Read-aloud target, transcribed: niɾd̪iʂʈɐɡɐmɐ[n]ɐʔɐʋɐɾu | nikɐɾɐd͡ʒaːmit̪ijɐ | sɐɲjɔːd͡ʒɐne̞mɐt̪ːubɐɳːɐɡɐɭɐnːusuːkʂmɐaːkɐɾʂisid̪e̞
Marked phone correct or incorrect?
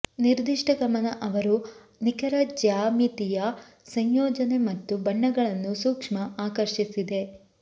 correct